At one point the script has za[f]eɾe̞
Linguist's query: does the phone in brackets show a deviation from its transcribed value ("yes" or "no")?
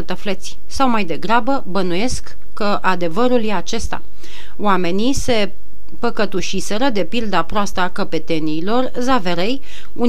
yes